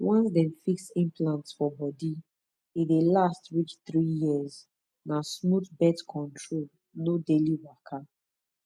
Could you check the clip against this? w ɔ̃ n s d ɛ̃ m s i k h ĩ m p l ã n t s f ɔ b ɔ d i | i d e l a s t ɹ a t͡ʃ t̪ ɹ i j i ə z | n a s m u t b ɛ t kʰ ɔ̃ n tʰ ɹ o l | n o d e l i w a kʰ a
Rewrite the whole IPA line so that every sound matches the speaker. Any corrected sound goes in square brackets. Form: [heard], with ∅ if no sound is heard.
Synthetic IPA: w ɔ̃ n s d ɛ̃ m [f] i k [s] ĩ m p l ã n t s f ɔ b ɔ d i | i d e l a s t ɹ [i] t͡ʃ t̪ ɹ i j i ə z | n a s m u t b ɛ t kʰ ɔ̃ n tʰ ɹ o l | n o d e l i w a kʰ a